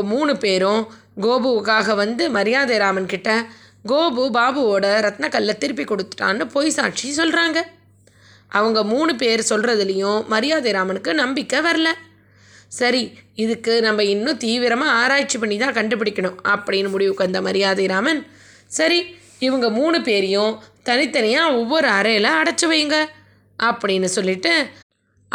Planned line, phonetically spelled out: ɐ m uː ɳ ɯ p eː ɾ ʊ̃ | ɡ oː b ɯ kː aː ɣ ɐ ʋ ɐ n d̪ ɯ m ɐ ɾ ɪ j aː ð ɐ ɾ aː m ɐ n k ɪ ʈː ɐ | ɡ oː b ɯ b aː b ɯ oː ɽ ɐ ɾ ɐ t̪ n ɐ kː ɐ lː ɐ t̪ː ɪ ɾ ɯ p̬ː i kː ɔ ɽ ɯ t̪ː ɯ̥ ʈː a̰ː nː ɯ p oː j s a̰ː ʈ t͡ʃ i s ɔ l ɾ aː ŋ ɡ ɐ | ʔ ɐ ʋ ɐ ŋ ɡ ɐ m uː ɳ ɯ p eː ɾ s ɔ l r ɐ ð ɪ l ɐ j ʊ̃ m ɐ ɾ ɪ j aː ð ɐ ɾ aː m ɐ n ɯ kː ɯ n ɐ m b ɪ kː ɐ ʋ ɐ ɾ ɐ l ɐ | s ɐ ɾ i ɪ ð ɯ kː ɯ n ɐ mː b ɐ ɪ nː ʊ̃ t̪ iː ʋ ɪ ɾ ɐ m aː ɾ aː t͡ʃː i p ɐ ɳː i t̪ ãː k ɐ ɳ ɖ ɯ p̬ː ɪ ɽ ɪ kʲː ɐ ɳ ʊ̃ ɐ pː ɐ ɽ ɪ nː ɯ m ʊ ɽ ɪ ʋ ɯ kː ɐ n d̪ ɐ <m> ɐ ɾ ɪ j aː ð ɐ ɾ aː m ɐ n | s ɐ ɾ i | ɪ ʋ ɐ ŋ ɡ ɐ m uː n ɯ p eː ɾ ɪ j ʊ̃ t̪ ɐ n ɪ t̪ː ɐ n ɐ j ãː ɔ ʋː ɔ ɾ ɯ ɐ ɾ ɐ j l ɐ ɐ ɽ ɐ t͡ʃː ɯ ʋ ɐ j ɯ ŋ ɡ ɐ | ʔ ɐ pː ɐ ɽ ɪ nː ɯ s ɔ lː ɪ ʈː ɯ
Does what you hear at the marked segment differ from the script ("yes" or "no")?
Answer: no